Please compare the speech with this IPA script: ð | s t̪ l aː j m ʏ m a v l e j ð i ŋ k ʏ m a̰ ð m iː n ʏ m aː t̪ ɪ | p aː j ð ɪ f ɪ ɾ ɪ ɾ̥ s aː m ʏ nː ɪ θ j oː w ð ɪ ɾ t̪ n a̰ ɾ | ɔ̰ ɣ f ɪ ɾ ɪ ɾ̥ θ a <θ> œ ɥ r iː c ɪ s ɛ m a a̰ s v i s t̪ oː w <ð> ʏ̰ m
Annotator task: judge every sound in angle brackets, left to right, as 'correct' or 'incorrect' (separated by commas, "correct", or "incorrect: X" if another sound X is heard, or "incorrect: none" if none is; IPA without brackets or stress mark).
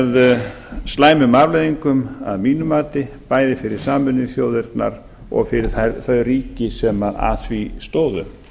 correct, correct